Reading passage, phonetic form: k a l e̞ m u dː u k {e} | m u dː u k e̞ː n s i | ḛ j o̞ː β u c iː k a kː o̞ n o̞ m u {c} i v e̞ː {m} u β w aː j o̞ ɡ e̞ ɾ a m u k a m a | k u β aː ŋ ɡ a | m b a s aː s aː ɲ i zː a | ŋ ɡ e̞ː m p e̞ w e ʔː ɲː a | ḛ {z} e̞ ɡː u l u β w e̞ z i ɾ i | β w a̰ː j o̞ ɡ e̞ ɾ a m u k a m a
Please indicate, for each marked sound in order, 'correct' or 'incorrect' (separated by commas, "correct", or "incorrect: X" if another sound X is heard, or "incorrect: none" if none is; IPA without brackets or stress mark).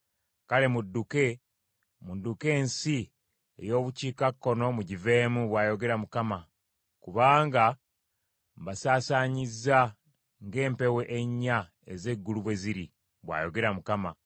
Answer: correct, incorrect: ɟ, correct, correct